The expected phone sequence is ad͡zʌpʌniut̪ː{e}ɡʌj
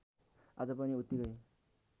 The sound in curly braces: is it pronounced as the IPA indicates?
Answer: no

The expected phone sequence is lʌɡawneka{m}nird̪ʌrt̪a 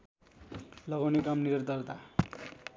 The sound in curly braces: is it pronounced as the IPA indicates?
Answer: yes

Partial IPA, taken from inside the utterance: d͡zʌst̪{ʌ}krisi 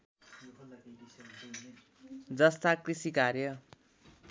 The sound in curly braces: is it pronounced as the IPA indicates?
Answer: no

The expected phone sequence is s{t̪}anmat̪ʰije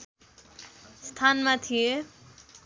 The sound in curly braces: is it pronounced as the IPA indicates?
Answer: no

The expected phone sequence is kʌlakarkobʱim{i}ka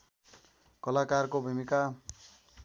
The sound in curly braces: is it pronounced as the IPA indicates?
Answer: yes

